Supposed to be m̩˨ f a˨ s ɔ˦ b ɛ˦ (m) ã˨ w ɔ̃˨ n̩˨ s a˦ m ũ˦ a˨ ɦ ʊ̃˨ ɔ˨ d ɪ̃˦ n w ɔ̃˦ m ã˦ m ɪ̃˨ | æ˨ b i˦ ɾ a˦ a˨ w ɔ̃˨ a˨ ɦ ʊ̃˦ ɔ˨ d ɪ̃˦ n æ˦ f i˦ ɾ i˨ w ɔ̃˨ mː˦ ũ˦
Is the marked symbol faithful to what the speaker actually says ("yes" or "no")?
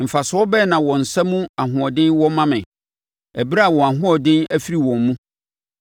no